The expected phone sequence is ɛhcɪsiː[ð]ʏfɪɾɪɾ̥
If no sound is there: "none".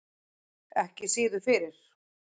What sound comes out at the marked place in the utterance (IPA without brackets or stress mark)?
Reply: ð